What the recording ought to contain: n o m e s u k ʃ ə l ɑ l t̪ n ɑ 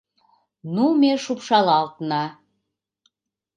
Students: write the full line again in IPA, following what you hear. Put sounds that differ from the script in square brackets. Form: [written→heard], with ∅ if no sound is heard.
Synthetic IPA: n [o→u] m e [s→ʃ] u [k→p] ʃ [ə→ɑ] l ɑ l t̪ n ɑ